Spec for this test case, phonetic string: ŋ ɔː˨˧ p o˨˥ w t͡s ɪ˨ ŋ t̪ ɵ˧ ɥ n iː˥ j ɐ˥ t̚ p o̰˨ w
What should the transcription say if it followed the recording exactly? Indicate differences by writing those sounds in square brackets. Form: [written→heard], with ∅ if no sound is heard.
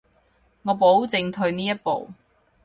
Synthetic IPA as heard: ŋ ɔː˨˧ p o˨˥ w t͡s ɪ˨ ŋ [t̪→t̪ʰ] ɵ˧ ɥ n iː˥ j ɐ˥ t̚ p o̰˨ w